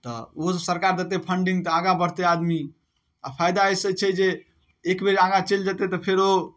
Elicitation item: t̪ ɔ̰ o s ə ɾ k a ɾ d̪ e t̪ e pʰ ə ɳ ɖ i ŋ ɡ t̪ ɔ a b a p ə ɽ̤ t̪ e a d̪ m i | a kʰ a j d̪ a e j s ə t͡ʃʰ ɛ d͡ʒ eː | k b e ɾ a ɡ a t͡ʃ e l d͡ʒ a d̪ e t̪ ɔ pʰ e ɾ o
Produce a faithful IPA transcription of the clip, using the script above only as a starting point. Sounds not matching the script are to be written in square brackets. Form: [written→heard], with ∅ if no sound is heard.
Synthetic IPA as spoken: t̪ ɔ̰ o s ə ɾ k a ɾ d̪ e t̪ e pʰ ə ɳ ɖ i ŋ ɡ t̪ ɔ a [b→ɡ] a [p→b] ə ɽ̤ t̪ e a d̪ m i | a [kʰ→pʰ] a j d̪ a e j s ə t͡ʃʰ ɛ d͡ʒ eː | k b e ɾ a ɡ a t͡ʃ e l d͡ʒ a [d̪→t̪] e t̪ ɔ pʰ e ɾ o

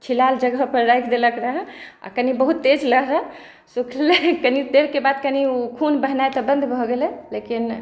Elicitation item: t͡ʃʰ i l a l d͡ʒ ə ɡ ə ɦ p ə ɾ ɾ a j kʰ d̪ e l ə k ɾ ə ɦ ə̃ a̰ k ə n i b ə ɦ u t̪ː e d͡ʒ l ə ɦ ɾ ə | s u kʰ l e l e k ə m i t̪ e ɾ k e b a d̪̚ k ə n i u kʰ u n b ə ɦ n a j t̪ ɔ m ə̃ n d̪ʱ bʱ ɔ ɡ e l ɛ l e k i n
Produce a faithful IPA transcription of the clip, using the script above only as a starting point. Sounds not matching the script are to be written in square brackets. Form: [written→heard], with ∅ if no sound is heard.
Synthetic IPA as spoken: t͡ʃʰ i l a l d͡ʒ ə ɡ ə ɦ p ə ɾ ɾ a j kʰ d̪ e l ə k ɾ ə ɦ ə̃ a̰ k ə n i b ə ɦ u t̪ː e d͡ʒ l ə ɦ ɾ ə | s u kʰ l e l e k ə [m→n] i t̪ e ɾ k e b a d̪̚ k ə n i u kʰ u n b ə ɦ n a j t̪ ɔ [m→b] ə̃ n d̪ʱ bʱ ɔ ɡ e l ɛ l e k i n

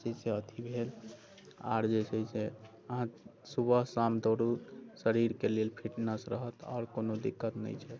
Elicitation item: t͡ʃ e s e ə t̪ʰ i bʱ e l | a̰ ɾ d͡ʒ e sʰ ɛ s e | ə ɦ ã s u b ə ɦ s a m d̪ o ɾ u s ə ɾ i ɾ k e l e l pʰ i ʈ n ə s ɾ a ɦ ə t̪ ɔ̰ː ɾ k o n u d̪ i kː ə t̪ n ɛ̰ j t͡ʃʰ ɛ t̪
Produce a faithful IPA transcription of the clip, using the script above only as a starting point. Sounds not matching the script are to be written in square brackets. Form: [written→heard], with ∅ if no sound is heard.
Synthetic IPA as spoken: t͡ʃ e s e ə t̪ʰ i bʱ e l | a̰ ɾ d͡ʒ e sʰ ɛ s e | ə ɦ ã s u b ə ɦ s a m d̪ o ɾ u s ə ɾ i ɾ k e l e l pʰ i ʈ n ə s ɾ [a→ə] ɦ ə t̪ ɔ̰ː ɾ k o n [u→o] d̪ i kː ə t̪ n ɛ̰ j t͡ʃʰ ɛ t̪

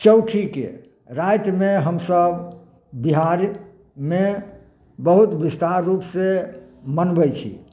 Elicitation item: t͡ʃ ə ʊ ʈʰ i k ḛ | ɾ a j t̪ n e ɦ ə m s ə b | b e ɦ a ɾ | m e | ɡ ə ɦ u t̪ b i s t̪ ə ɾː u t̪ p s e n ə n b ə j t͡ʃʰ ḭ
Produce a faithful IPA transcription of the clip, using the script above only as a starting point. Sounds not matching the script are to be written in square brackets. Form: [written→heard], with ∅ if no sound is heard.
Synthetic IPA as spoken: t͡ʃ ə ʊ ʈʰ i k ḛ | ɾ a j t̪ [n→m] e ɦ ə m s ə b | b [e→i] ɦ a ɾ | m e | [ɡ→b] ə ɦ u t̪ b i s t̪ [ə→a] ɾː u [t̪→∅] p s e [n→m] ə n b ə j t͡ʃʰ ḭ

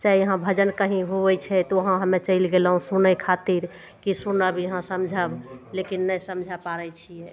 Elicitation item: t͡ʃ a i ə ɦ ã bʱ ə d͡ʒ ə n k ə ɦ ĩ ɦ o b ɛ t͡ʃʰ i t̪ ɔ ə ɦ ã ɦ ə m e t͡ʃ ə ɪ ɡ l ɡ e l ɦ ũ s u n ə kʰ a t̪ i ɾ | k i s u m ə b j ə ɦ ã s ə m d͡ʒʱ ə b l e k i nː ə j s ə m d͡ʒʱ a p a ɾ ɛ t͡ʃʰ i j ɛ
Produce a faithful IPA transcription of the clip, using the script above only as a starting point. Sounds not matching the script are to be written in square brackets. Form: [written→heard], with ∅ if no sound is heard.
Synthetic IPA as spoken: t͡ʃ a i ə ɦ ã bʱ ə d͡ʒ ə n k ə ɦ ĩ ɦ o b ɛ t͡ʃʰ [i→ɛ] t̪ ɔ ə ɦ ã ɦ ə m e t͡ʃ ə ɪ [ɡ→∅] l ɡ e l ɦ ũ s u n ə kʰ a t̪ i ɾ | k i s u [m→n] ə b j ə ɦ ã s ə m d͡ʒʱ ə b l e k i nː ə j s ə m d͡ʒʱ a p a ɾ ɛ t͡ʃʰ i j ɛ

